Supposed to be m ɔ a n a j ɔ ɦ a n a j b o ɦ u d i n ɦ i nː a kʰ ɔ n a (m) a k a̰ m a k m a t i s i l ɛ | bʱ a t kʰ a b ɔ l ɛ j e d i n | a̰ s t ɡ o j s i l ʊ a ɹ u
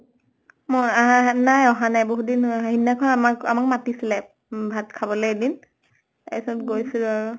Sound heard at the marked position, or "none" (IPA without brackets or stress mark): m